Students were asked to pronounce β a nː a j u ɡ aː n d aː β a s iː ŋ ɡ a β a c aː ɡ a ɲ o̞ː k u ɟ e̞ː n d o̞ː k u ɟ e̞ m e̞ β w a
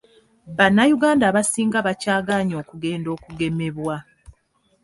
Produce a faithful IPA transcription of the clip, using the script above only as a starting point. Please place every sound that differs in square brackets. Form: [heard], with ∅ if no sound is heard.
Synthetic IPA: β a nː a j u ɡ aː n d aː β a s iː ŋ ɡ a β a c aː ɡ a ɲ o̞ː k u [ɡ] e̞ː n d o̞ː k u [ɡ] e̞ m e̞ β w a